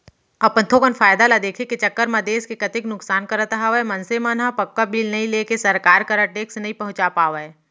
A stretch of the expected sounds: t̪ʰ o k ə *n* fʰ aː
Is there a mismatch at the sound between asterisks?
no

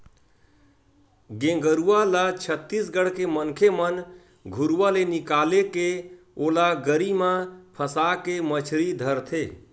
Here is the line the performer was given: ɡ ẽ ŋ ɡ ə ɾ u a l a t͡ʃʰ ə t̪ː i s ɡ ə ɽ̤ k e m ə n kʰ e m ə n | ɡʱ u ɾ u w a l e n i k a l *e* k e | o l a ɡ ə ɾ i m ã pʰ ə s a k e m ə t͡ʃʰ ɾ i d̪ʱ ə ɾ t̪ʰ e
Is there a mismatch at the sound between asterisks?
no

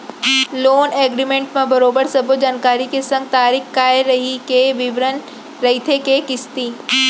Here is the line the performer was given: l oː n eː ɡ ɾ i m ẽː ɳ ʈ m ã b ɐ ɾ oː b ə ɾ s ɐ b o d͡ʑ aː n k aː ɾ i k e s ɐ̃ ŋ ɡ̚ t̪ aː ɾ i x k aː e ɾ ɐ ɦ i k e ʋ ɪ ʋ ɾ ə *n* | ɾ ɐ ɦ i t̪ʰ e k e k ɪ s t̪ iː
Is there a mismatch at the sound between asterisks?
no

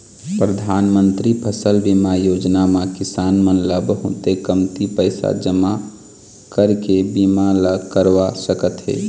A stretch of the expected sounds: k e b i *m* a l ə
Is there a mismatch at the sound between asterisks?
no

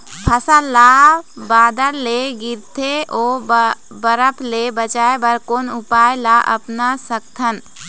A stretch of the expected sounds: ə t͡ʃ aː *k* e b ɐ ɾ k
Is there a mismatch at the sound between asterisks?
yes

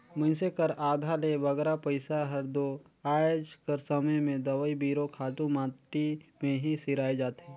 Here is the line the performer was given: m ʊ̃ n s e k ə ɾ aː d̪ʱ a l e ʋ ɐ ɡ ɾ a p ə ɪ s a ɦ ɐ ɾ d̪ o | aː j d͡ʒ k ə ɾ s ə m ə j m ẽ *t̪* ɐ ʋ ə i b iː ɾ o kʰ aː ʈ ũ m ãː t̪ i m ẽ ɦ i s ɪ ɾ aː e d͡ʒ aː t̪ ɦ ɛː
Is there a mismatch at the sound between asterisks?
yes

